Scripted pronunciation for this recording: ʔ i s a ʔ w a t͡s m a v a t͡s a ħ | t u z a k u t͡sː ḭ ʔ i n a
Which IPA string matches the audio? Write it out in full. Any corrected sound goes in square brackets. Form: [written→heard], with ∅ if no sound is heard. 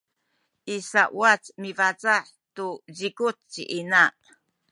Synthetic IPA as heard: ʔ i s a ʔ w a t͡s m [a→i] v a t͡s a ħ | t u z [a→i] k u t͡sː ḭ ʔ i n a